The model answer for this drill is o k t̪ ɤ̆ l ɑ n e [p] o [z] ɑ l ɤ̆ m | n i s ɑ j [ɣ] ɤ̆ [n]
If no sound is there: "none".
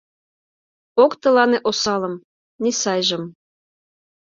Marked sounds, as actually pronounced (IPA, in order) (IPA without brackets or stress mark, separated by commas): ʔ, s, ʒ, m